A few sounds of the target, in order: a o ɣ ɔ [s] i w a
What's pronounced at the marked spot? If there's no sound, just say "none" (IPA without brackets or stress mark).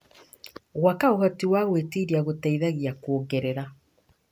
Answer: t